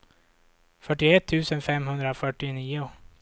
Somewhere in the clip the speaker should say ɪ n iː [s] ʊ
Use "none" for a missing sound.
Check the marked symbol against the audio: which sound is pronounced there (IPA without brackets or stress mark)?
none